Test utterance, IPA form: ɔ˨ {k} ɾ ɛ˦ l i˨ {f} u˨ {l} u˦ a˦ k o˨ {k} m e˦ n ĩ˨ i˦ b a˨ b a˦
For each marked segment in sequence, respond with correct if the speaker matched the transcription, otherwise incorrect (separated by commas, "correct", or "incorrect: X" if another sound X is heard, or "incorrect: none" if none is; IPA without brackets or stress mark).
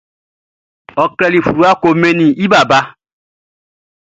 correct, correct, incorrect: ɾ, incorrect: none